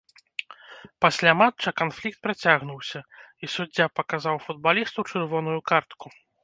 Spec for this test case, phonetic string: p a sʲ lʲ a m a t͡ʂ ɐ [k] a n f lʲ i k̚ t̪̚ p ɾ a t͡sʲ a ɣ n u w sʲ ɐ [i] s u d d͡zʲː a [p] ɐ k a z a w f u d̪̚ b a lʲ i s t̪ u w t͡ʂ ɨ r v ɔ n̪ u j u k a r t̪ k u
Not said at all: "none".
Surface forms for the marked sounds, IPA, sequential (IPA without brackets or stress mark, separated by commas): k, i, p